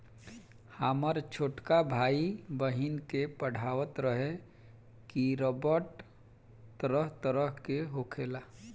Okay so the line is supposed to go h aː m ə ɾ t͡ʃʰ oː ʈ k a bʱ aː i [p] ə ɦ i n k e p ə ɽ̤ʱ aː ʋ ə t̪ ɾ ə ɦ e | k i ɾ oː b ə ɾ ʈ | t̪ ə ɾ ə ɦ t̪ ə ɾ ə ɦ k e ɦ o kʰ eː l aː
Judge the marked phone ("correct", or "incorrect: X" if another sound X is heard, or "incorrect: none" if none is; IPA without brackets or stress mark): incorrect: b